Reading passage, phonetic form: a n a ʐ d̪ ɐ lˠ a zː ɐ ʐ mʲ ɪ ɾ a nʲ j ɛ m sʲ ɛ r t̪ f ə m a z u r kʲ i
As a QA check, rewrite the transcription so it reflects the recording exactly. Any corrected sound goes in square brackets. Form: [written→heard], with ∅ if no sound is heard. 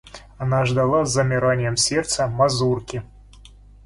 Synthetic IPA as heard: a n a ʐ d̪ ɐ lˠ a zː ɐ [ʐ→∅] mʲ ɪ ɾ a nʲ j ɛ m sʲ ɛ r t̪ [f→s] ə m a z u r kʲ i